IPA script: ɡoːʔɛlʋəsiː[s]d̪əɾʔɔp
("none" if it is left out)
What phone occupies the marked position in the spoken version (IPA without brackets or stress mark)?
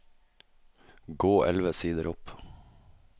none